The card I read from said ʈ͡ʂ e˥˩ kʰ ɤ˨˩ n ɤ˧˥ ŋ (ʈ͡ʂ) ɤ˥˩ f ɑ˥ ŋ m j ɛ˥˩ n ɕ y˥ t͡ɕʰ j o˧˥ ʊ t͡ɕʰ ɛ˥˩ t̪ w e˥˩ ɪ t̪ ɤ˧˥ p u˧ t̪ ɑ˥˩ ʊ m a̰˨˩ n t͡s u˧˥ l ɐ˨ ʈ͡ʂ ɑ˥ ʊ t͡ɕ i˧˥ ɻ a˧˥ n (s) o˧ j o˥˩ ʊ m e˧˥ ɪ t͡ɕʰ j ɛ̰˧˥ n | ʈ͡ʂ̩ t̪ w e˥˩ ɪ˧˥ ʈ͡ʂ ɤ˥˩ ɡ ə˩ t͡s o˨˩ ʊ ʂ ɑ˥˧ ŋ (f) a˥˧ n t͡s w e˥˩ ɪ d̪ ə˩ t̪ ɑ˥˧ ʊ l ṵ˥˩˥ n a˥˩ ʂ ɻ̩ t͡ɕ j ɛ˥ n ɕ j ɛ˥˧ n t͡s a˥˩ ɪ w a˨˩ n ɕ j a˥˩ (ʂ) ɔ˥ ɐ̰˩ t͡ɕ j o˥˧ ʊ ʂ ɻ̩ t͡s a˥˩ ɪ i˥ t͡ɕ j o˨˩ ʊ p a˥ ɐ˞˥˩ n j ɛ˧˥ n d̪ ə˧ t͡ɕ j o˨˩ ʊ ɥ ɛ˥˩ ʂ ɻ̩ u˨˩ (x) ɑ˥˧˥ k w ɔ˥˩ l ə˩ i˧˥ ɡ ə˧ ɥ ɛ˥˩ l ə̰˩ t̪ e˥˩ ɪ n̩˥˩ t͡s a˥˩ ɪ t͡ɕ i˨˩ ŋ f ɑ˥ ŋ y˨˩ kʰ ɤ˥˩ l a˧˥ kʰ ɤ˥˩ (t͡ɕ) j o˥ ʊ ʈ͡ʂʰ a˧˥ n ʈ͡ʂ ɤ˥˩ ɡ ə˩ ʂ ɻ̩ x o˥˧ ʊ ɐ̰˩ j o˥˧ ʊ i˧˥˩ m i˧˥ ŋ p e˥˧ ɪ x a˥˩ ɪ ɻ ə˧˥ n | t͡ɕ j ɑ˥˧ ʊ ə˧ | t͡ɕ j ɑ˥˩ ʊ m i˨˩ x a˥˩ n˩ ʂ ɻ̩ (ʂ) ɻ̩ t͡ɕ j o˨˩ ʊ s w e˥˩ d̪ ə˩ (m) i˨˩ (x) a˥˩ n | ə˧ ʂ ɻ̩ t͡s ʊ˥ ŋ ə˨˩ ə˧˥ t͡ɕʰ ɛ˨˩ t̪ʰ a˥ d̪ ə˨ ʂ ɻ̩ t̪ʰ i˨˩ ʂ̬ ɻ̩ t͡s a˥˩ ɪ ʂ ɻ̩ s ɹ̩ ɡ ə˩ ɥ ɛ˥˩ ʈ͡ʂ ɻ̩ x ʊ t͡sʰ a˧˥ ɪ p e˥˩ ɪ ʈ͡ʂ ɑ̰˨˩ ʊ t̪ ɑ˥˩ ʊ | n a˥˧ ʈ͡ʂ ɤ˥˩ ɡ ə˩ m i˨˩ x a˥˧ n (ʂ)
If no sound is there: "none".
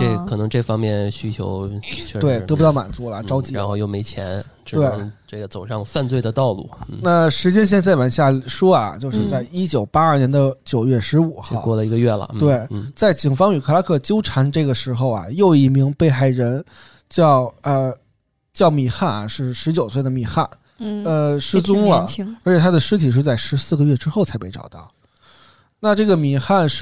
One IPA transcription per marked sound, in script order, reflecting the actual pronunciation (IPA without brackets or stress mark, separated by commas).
ʈ͡ʂ, x, f, ʂ, x, t͡ɕ, ʂ, m, x, ʂ